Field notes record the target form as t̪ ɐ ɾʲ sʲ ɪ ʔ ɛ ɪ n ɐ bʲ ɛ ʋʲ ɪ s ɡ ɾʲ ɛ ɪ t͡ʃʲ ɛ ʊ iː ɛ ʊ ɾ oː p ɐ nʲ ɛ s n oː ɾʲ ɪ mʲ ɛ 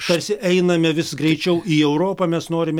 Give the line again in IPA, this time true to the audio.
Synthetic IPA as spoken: t̪ ɐ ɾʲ sʲ ɪ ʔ ɛ ɪ n ɐ mʲ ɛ ʋʲ ɪ s ɡ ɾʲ ɛ ɪ t͡ʃʲ ɛ ʊ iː ɛ ʊ ɾ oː p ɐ mʲ ɛ s n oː ɾʲ ɪ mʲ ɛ